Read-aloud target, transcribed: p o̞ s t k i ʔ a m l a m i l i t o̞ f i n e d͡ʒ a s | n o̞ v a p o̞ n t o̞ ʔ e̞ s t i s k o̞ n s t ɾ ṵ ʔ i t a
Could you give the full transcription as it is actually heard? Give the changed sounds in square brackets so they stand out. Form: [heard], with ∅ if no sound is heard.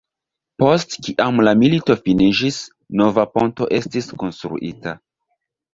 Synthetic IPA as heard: p o̞ s t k i ʔ a m l a m i l i t o̞ f i n [i] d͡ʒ [i] s | n o̞ v a p o̞ n t o̞ ʔ e̞ s t i s k o̞ n s t ɾ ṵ ʔ i t a